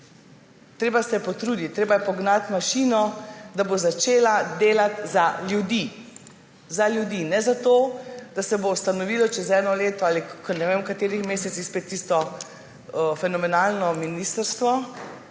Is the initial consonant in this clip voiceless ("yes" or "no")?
yes